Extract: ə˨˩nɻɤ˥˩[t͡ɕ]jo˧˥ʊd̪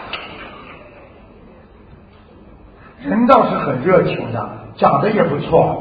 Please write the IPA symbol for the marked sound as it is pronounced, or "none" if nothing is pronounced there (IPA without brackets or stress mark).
t͡ɕʰ